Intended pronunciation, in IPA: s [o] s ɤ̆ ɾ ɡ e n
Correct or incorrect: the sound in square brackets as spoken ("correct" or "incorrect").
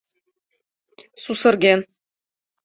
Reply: incorrect